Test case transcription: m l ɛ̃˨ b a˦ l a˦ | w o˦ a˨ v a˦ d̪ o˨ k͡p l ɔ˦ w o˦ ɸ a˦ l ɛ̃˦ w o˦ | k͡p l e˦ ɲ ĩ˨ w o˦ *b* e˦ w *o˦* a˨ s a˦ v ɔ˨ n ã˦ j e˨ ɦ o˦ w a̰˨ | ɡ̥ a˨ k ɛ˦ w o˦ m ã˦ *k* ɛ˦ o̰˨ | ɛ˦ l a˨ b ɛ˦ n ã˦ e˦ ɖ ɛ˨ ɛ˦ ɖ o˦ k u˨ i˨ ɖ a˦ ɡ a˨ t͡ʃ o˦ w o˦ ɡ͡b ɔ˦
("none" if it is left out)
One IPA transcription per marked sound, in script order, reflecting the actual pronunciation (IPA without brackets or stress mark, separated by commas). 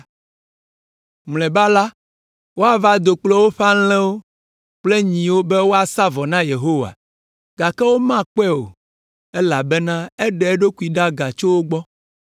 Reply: b, o˦, k͡p